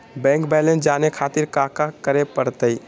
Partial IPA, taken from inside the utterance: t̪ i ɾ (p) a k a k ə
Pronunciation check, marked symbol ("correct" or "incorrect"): incorrect